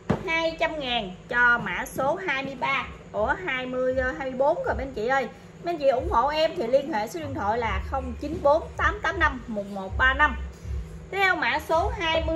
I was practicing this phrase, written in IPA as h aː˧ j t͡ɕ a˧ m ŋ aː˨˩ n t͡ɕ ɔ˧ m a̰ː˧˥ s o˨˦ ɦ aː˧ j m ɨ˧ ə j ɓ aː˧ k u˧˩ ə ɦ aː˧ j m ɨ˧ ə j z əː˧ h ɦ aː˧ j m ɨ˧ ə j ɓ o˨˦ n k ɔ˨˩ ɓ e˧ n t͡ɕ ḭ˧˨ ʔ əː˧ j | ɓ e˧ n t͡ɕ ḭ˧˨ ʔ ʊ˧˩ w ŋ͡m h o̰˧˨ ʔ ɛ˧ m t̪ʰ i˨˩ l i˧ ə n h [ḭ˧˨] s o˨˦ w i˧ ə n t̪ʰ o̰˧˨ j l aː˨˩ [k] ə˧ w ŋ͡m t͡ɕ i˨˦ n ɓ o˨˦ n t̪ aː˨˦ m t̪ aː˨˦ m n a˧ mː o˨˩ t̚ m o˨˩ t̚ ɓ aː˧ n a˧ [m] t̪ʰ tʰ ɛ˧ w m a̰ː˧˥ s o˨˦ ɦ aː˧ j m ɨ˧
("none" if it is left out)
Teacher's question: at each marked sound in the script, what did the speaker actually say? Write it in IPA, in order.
ḛ˧˨, x, m

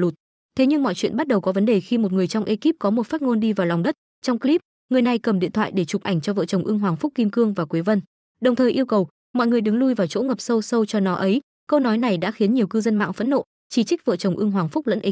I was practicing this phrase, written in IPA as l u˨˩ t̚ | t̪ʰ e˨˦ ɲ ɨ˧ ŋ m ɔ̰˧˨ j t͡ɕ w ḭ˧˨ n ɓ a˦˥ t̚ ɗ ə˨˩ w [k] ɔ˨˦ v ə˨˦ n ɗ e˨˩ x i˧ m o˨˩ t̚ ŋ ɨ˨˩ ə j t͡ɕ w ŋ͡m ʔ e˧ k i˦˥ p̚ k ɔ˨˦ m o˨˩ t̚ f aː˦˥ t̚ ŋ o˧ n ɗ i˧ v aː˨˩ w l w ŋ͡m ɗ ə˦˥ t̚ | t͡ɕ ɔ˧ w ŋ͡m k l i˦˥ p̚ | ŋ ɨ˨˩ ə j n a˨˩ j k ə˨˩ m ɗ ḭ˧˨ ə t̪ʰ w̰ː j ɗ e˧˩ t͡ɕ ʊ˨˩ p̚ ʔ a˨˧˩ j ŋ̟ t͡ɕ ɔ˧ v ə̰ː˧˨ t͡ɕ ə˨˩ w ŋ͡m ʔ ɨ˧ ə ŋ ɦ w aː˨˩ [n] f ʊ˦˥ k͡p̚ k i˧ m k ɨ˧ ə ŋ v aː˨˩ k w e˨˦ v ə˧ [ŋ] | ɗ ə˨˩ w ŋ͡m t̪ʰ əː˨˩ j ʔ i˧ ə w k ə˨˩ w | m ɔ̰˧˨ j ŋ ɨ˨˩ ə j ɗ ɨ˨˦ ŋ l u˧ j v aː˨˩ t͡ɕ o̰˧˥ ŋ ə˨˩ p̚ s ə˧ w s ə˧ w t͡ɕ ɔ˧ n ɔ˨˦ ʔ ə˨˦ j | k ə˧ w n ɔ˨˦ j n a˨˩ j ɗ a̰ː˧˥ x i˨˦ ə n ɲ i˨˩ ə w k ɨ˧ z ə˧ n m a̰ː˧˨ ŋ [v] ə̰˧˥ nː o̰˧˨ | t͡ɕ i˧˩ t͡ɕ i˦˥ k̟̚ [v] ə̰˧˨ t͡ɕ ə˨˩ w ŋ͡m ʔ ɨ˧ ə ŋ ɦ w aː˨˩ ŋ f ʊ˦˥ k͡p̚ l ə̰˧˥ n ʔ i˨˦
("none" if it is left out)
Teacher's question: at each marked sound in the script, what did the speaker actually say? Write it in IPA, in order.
k, ŋ, n, f, v

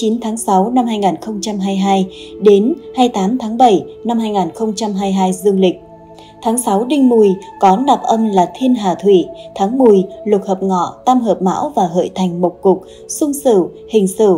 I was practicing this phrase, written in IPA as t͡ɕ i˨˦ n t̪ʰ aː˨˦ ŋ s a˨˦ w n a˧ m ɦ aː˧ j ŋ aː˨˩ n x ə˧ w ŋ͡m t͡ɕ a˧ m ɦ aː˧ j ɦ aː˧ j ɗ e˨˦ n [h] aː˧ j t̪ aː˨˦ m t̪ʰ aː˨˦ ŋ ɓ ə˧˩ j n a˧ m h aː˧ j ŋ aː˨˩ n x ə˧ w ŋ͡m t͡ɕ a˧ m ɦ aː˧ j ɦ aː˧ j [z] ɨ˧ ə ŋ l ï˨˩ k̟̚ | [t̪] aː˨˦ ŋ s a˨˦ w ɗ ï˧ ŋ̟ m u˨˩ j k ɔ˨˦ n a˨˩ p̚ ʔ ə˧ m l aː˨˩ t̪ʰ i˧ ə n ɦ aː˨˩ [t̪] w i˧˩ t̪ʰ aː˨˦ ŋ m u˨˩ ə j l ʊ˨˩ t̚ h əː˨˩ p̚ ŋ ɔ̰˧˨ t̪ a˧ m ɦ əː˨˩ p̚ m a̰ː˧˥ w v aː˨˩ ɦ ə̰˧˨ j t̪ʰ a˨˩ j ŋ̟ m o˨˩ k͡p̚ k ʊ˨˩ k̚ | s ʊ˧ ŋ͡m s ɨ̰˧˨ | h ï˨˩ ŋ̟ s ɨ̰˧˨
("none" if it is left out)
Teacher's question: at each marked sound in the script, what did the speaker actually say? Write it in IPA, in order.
h, z, t̪ʰ, t̪ʰ

